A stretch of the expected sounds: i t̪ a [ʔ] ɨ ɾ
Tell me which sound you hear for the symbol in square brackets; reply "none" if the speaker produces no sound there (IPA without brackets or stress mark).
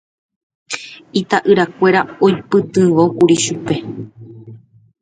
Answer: ʔ